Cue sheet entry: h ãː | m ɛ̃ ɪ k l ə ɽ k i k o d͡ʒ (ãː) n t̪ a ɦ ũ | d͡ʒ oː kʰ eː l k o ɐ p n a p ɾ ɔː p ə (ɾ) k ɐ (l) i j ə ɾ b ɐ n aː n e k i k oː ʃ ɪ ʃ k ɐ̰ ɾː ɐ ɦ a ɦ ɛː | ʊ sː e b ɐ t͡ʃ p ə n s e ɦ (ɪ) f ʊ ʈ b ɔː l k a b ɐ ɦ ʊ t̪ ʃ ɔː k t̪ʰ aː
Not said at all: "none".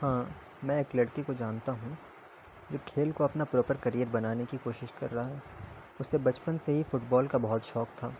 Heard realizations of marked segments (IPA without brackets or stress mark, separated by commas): aː, ɾ, ɾ, i